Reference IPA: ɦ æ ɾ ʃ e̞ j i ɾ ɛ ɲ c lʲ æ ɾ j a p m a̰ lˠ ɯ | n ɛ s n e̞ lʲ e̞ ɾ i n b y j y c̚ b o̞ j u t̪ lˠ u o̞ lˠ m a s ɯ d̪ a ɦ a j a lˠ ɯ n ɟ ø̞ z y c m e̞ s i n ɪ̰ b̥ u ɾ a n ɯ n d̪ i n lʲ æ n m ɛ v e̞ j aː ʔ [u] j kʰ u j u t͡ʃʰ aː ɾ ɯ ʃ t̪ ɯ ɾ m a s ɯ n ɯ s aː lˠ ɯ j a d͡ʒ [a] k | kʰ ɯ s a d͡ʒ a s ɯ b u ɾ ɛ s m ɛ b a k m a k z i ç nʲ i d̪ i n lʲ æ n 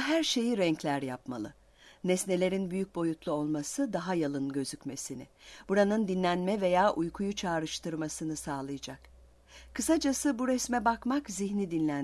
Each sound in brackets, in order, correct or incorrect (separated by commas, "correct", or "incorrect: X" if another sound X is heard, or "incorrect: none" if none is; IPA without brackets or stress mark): correct, correct